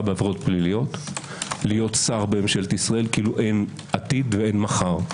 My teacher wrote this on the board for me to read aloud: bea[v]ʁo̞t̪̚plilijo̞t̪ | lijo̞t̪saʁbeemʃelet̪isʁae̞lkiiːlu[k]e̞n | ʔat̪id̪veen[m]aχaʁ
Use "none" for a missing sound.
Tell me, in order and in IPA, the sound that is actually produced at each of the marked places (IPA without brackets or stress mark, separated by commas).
v, ʔ, m